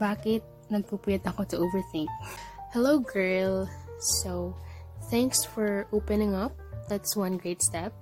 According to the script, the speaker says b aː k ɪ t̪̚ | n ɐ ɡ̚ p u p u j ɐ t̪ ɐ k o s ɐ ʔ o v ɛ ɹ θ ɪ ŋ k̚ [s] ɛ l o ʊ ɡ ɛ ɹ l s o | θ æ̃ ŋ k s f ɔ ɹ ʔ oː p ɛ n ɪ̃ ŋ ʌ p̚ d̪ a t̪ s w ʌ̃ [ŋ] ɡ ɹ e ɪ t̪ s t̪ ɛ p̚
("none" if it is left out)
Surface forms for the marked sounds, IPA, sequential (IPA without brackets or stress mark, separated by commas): h, n